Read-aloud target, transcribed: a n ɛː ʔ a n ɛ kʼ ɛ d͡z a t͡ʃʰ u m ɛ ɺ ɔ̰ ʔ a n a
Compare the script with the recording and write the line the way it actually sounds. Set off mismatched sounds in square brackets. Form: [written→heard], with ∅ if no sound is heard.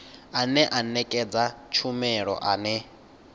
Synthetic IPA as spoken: a n [ɛː→ɛ] ʔ a n ɛ kʼ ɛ d͡z a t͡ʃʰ u m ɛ ɺ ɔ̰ ʔ a n [a→ɛ]